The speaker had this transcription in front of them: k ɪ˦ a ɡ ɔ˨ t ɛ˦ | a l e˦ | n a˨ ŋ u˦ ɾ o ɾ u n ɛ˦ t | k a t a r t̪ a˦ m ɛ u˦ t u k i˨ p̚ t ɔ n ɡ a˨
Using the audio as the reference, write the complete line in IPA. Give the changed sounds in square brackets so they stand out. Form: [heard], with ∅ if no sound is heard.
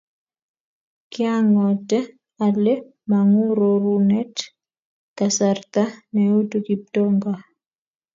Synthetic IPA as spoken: k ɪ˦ a [ŋ] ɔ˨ t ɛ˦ | a l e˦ | [m] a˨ ŋ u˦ ɾ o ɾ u n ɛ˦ t | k a [s] a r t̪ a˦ [n] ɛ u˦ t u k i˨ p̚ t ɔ [ŋ] ɡ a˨